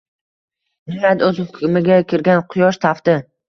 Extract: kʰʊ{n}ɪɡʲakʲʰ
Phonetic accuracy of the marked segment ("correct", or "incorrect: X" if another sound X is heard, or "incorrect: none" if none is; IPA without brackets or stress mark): incorrect: m